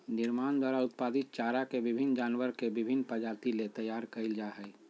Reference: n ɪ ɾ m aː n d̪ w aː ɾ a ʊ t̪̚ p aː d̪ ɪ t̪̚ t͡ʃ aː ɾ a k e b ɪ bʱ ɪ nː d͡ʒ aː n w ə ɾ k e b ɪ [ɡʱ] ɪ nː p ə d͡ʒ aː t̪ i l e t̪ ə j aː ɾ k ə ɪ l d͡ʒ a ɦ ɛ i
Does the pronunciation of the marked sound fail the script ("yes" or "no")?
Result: yes